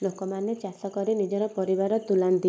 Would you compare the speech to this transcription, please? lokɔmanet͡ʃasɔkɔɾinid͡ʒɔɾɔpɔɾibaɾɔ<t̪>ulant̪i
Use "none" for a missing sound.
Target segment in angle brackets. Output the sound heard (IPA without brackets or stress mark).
t̪